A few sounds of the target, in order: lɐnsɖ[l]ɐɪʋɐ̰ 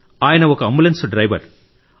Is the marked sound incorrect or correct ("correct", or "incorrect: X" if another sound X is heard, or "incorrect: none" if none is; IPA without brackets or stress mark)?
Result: incorrect: ɾ